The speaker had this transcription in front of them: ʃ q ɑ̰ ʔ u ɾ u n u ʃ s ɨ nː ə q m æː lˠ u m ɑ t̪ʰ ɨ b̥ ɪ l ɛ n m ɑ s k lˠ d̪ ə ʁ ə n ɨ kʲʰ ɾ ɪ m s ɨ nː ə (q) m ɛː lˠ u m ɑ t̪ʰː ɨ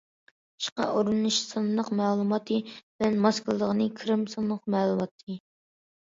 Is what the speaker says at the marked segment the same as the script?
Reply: yes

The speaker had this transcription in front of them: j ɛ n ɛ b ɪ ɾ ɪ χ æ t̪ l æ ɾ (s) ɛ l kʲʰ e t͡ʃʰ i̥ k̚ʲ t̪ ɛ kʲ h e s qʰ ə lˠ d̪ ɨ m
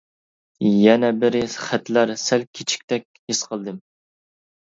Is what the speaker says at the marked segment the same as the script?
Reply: yes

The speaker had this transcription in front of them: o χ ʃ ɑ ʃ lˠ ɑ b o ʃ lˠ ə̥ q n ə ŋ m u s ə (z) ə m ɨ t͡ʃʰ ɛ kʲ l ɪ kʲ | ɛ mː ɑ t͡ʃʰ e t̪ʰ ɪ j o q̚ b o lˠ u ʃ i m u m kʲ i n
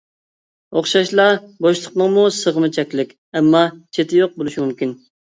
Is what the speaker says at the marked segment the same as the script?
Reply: no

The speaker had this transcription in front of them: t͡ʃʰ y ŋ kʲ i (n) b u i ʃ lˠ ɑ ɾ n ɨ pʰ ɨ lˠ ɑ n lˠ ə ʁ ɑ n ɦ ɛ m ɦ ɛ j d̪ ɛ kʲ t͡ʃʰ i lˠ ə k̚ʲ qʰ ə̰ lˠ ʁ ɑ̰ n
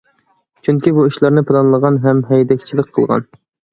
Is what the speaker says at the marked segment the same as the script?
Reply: no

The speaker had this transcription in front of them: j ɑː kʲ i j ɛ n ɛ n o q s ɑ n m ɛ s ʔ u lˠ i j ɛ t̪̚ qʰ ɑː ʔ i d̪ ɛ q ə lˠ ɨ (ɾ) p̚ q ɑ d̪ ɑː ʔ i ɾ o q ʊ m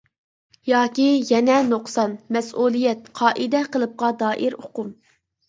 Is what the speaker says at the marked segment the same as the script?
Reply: no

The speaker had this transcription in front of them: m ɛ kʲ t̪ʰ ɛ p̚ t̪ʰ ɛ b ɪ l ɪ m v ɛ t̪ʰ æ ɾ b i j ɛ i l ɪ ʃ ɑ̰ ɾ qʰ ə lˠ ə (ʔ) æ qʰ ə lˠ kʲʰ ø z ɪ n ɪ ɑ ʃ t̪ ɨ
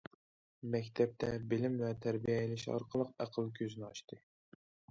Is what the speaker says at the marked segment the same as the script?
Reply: no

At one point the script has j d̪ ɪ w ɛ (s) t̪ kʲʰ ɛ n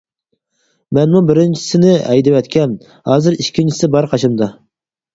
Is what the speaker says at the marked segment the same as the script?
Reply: no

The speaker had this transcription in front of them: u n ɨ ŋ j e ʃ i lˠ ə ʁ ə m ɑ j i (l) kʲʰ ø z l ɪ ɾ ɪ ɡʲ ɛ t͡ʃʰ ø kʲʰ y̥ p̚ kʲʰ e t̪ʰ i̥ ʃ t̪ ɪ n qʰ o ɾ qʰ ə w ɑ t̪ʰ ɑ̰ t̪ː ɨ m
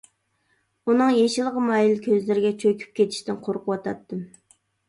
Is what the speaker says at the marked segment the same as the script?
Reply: yes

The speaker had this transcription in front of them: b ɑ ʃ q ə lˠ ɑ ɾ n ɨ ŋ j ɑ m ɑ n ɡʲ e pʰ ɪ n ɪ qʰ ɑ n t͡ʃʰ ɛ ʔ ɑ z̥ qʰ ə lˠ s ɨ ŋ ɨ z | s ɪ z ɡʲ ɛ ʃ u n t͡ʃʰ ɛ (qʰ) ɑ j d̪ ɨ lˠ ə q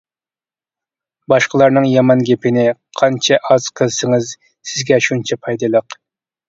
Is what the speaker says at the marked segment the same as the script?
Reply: no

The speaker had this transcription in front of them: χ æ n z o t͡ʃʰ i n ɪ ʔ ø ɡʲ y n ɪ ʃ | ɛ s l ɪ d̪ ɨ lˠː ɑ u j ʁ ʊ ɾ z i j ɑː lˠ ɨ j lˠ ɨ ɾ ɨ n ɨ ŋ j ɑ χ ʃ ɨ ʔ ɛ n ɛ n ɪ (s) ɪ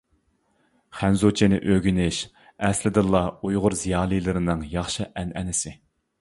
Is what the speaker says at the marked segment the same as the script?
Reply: yes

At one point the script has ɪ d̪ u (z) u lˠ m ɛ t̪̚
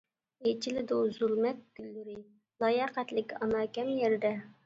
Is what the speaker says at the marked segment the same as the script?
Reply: yes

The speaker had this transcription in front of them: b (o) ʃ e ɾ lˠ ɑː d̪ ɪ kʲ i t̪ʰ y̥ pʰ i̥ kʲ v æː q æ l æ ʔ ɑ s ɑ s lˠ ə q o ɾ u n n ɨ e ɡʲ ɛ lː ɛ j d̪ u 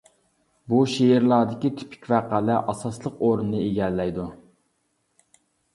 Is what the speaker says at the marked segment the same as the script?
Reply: no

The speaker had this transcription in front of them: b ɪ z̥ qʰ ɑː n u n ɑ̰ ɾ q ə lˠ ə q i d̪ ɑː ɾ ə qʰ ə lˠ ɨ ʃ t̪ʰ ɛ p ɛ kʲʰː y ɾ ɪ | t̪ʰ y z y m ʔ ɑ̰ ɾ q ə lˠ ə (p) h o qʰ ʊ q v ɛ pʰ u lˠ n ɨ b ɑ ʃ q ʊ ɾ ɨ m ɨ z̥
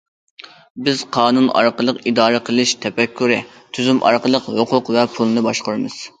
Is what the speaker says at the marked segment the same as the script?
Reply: no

